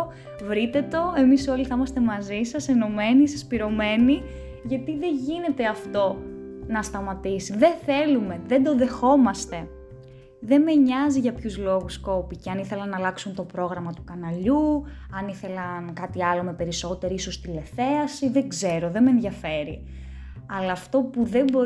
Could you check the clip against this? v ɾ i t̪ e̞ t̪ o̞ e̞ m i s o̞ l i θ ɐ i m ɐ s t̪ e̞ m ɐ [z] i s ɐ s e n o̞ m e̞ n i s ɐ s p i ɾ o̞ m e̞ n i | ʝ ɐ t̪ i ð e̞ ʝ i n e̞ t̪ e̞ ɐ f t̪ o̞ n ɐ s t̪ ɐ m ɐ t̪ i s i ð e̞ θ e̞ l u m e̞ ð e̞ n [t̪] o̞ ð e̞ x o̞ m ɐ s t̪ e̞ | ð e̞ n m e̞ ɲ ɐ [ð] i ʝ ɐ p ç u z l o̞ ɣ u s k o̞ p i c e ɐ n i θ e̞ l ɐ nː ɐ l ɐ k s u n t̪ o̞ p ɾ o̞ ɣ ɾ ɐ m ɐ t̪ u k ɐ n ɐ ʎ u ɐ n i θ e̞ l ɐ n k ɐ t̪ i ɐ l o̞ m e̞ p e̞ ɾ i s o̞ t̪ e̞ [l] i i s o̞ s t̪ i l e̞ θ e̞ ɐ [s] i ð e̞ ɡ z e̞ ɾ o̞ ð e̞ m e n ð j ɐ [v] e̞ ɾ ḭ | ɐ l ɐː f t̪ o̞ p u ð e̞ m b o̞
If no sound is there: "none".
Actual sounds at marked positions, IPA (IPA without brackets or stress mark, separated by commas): z, d̪, z, ɾ, s, f